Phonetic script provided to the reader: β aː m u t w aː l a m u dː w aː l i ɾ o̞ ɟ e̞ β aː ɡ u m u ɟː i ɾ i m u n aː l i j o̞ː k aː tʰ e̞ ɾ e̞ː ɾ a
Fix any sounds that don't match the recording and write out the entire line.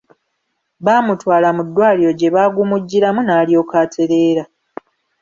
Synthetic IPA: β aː m u t w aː l a m u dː w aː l i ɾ o̞ ɟ e̞ β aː ɡ u m u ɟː i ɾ a m u n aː l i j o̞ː k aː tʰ e̞ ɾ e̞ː ɾ a